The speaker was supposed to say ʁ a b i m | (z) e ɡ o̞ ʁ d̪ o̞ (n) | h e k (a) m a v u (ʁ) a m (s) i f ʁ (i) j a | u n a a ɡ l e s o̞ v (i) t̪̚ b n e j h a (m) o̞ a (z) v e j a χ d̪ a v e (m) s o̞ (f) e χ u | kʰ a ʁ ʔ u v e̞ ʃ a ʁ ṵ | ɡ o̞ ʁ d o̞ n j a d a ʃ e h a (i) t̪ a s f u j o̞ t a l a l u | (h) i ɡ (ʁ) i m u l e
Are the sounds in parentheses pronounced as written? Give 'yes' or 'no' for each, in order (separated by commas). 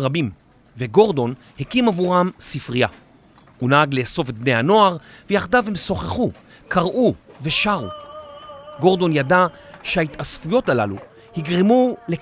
no, yes, no, yes, yes, yes, no, no, no, yes, no, yes, yes, yes